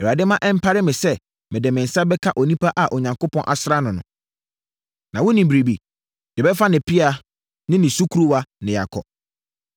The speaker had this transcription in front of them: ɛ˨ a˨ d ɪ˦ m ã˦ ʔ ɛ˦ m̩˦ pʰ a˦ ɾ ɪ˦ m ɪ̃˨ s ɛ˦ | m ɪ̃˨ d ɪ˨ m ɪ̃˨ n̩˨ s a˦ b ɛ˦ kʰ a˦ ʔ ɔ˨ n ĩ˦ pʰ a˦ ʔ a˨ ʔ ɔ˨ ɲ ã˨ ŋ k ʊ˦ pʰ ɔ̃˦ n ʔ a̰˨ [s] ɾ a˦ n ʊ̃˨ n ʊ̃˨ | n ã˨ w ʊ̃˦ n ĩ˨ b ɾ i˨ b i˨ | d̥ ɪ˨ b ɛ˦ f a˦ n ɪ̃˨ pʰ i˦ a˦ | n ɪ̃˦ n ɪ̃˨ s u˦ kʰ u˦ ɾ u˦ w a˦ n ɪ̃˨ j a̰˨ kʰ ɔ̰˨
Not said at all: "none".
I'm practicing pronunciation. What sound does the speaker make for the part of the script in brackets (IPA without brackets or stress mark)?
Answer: s